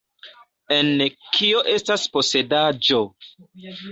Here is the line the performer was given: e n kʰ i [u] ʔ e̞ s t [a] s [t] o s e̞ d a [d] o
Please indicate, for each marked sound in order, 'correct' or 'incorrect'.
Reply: incorrect, correct, incorrect, incorrect

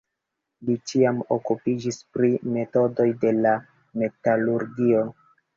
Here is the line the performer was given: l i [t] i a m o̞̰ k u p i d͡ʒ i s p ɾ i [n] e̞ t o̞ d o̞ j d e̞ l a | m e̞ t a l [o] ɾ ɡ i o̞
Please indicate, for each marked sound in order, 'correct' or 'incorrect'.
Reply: incorrect, incorrect, incorrect

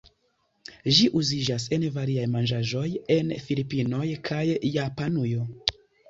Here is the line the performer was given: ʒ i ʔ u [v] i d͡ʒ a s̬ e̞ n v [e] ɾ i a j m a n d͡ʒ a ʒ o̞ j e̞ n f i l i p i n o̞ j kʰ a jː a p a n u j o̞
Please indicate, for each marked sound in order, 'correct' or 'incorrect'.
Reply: incorrect, incorrect

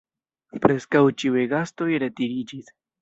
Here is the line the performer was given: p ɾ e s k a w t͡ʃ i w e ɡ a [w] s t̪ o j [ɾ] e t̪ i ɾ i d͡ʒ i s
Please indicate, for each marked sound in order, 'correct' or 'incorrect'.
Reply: incorrect, correct

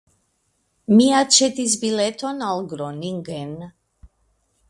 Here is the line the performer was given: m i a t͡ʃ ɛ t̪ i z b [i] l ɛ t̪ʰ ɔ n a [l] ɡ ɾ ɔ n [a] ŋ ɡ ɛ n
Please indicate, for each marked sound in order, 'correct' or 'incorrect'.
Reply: correct, correct, incorrect

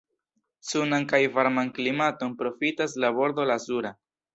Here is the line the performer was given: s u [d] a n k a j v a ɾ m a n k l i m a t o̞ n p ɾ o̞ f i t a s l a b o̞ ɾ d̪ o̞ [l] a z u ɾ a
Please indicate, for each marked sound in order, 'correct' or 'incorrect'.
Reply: incorrect, correct

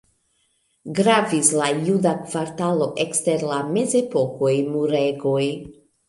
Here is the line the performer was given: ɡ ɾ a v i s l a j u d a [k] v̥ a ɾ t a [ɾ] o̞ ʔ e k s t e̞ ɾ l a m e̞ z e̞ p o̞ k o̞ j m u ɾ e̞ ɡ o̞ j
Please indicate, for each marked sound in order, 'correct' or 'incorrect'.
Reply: correct, incorrect

